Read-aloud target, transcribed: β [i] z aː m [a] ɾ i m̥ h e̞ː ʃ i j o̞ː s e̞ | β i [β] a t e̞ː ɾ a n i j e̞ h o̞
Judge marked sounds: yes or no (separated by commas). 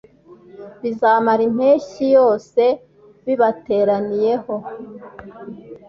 yes, yes, yes